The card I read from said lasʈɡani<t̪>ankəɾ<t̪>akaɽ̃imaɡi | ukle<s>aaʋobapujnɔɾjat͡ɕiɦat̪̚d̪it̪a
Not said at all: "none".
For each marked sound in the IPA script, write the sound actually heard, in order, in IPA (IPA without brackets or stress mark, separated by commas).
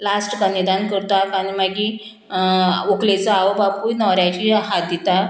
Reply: d̪, t̪, t͡s